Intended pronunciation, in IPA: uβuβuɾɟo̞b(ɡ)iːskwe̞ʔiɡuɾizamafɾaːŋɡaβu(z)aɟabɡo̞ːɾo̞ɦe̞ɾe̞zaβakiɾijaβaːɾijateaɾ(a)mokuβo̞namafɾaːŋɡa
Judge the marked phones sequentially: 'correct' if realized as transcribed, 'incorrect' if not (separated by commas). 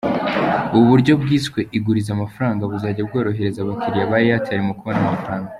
correct, correct, incorrect